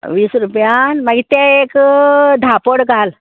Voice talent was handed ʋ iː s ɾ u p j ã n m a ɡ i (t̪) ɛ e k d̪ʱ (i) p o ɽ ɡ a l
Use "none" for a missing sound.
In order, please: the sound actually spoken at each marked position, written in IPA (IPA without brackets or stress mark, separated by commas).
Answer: t̪, a